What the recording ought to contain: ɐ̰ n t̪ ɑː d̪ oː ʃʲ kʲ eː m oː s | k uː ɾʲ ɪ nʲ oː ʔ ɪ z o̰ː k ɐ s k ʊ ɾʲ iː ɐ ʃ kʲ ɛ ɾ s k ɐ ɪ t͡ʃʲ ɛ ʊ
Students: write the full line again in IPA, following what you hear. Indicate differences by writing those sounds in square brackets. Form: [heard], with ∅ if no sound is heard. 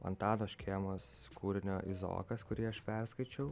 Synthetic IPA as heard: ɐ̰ n t̪ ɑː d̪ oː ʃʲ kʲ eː m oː s | k uː ɾʲ ɪ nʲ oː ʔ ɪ z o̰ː k ɐ s k ʊ ɾʲ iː ɐ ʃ [pʲ] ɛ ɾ s k ɐ ɪ t͡ʃʲ ɛ ʊ